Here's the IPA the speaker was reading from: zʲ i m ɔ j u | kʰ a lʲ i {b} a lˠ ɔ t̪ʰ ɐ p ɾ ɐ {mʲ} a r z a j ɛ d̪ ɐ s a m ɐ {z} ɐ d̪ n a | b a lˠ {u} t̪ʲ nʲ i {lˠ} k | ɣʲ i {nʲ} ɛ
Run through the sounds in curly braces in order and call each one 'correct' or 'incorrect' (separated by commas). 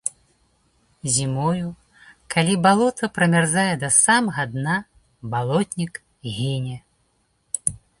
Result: correct, correct, incorrect, incorrect, incorrect, correct